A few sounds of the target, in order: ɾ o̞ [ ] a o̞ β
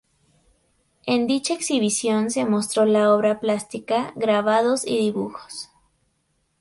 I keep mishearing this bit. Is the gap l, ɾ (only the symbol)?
l